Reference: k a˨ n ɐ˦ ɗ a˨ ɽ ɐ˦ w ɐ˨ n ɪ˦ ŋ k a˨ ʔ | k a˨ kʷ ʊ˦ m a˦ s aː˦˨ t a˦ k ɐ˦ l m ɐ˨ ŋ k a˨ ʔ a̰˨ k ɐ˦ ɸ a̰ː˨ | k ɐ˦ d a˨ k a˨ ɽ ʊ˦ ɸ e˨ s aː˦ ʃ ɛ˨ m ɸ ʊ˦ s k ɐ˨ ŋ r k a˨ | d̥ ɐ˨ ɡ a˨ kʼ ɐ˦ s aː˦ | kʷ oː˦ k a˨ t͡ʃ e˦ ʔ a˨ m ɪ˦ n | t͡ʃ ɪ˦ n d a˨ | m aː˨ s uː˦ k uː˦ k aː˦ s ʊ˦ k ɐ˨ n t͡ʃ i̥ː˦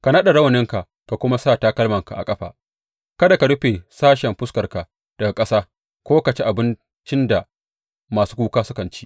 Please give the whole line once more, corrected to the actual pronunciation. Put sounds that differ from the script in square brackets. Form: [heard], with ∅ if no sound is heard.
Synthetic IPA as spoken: k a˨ n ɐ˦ ɗ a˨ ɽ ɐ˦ w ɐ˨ n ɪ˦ ŋ k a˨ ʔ | k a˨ kʷ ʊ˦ m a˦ s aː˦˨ t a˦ k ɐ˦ l m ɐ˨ ŋ k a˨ ʔ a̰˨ [kʼ] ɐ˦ ɸ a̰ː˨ | k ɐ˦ d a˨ k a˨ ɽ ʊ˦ ɸ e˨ s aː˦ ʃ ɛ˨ m ɸ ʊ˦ s k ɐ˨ [∅] r k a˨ | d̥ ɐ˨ ɡ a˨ kʼ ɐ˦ s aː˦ | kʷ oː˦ k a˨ t͡ʃ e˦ ʔ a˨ [b] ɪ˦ n | t͡ʃ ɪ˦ n d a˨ | m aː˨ s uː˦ k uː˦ k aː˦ s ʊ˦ k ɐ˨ n t͡ʃ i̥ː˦